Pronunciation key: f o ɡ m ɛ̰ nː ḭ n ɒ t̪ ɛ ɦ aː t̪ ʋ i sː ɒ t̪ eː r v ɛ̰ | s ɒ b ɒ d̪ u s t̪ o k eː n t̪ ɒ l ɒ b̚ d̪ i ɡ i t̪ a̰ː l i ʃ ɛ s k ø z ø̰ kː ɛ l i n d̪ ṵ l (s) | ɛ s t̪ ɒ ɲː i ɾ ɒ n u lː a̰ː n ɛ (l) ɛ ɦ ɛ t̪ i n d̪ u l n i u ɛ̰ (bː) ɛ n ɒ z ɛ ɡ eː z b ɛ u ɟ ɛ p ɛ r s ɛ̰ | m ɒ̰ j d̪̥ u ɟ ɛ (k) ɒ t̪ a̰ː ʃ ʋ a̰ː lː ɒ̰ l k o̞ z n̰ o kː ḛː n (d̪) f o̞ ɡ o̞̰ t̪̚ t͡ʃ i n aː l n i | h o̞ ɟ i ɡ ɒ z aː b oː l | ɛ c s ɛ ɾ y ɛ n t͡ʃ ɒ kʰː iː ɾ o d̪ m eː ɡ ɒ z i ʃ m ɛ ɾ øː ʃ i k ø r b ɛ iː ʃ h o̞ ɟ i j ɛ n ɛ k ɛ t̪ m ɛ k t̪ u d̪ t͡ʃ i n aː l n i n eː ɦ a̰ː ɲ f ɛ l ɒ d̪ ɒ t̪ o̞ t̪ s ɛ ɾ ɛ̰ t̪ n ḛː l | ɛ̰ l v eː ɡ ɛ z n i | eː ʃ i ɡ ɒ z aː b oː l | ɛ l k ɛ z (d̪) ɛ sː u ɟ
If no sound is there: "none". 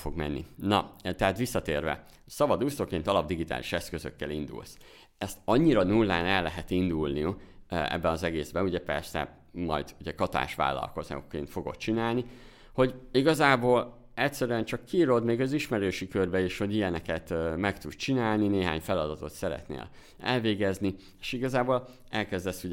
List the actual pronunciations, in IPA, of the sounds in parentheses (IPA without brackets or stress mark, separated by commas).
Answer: s, lː, bː, k, t̪, d̪